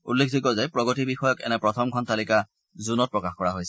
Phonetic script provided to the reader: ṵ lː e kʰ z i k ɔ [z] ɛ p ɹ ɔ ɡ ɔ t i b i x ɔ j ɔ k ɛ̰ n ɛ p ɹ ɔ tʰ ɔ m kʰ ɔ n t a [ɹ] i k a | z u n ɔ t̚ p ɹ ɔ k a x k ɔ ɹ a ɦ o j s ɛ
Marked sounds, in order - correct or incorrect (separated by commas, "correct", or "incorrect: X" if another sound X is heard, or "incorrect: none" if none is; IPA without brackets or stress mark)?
correct, incorrect: l